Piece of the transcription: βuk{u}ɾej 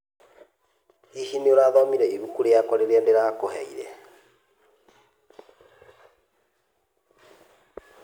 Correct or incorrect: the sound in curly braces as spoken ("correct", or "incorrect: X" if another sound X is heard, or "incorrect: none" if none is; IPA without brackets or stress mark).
correct